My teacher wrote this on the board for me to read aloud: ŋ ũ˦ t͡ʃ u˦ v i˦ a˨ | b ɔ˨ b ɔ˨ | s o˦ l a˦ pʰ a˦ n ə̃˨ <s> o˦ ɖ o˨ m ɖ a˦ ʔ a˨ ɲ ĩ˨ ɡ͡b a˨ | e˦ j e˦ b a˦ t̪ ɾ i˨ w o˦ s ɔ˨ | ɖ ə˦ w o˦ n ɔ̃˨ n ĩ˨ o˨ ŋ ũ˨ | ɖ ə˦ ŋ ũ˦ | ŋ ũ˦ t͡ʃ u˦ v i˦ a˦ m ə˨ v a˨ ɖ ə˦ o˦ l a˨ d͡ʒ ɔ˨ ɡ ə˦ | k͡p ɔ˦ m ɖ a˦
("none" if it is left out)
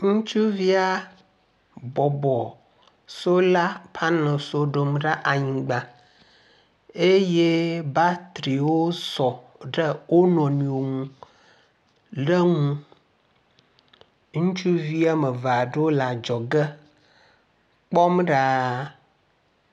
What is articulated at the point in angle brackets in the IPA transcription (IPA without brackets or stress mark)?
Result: s